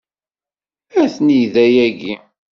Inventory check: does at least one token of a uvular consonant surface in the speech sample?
no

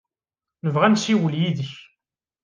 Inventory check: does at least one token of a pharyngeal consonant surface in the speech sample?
no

